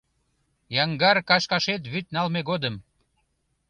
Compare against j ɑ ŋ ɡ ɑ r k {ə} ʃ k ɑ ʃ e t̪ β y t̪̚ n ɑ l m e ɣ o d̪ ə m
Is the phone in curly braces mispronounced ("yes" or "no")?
yes